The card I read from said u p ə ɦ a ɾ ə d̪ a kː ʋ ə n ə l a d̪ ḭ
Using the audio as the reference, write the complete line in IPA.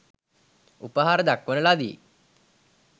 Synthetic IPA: u p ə ɦ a ɾ ə d̪ a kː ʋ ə n ə l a d̪ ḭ